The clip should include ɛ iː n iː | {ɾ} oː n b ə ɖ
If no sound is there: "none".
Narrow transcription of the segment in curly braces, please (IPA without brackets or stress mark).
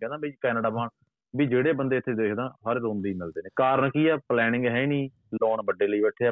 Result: l